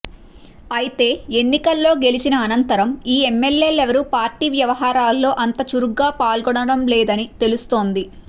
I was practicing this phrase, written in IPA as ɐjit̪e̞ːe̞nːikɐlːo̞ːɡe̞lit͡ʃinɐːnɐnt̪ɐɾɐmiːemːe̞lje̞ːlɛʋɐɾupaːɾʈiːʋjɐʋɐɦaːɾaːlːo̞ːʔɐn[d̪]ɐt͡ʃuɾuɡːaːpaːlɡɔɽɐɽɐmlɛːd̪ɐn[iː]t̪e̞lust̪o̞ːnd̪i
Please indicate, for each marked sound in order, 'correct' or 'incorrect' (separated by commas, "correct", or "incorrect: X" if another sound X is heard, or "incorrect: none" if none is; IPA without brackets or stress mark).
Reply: incorrect: t̪, incorrect: i